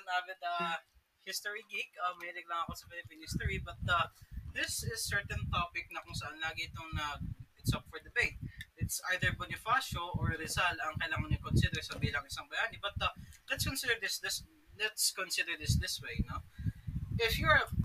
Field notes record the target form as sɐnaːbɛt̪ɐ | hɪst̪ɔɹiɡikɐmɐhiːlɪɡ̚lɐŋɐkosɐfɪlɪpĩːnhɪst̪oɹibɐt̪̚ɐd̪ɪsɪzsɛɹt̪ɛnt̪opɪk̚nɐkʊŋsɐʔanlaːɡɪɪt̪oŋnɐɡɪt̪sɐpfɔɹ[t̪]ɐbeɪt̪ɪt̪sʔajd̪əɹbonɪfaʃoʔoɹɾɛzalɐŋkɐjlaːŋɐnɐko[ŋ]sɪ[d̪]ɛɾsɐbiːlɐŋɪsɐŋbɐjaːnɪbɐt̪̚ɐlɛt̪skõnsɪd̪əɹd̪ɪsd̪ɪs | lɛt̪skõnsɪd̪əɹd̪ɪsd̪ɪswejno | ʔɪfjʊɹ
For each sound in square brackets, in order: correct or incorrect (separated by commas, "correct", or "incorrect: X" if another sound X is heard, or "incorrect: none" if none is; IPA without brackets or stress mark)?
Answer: incorrect: d̪, incorrect: n, correct